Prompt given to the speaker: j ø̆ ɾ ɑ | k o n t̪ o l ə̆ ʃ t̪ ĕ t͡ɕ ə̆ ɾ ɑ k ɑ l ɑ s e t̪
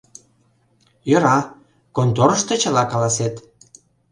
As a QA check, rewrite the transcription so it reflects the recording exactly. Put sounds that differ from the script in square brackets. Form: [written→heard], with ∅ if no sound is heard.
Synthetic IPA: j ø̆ ɾ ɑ | k o n t̪ o [l→ɾ] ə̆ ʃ t̪ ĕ t͡ɕ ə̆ [ɾ→l] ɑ k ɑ l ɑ s e t̪